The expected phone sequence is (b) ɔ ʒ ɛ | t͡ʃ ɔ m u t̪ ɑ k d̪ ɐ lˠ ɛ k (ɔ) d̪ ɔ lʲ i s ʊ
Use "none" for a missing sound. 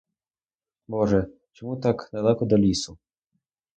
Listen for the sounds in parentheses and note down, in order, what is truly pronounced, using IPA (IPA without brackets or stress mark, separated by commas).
b, ɔ